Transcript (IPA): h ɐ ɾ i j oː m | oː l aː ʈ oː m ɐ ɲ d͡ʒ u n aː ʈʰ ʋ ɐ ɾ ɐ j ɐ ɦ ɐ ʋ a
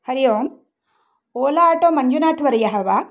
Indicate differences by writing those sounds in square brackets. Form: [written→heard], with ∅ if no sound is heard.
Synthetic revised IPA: h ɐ ɾ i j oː m | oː l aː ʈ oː m ɐ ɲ d͡ʒ u n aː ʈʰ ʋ ɐ ɾ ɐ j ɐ ɦ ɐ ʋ a

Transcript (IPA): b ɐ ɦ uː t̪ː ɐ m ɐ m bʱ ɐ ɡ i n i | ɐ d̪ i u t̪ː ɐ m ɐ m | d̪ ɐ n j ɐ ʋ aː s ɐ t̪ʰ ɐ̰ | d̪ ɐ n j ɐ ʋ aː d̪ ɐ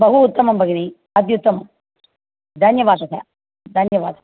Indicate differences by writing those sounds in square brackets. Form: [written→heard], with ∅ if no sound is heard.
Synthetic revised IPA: b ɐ ɦ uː t̪ː ɐ m ɐ m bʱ ɐ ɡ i n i | ɐ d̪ [i→j] u t̪ː ɐ m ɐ m | d̪ ɐ n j ɐ ʋ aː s ɐ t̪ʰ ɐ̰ | d̪ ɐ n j ɐ ʋ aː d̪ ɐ

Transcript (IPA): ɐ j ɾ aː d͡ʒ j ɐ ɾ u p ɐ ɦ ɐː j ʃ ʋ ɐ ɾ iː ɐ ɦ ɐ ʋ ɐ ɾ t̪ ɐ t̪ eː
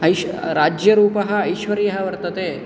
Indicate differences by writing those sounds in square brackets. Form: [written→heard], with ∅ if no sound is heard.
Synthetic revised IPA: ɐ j ɾ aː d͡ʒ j ɐ ɾ [u→uː] p ɐ ɦ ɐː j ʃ ʋ ɐ ɾ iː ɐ ɦ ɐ ʋ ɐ ɾ t̪ ɐ t̪ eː

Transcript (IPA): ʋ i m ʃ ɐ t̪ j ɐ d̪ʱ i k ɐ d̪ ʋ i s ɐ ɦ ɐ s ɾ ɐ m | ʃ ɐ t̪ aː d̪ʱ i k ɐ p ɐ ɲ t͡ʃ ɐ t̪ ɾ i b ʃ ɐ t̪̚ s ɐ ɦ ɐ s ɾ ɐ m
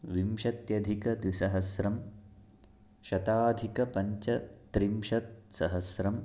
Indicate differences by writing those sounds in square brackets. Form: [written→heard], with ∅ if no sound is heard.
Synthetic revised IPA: ʋ i m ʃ ɐ t̪ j ɐ d̪ʱ i k ɐ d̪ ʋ i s ɐ ɦ ɐ s ɾ ɐ m | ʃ ɐ t̪ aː d̪ʱ i k ɐ p ɐ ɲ t͡ʃ ɐ t̪ ɾ i [b→m] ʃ ɐ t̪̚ s ɐ ɦ ɐ s ɾ ɐ m

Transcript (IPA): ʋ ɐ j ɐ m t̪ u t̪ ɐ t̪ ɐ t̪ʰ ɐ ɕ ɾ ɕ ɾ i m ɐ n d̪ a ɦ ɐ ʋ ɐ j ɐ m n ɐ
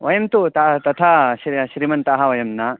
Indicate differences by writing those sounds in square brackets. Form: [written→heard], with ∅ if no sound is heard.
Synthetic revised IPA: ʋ ɐ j ɐ m t̪ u t̪ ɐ t̪ ɐ t̪ʰ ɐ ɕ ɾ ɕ ɾ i m ɐ n [d̪→t̪] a ɦ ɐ ʋ ɐ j ɐ m n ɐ

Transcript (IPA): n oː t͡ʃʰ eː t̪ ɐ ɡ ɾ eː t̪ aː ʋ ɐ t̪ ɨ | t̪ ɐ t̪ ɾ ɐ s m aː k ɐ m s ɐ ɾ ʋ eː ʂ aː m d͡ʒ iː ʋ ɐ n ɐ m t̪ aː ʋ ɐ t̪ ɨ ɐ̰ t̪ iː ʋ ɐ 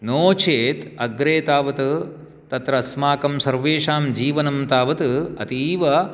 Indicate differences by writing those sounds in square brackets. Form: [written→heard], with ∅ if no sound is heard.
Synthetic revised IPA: n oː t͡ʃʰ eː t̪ ɐ ɡ ɾ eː t̪ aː ʋ ɐ t̪ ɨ | t̪ ɐ t̪ ɾ ɐ s m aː k ɐ m s ɐ ɾ ʋ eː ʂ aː m d͡ʒ iː ʋ ɐ n ɐ m t̪ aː ʋ ɐ t̪ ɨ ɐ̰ t̪ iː ʋ ɐ

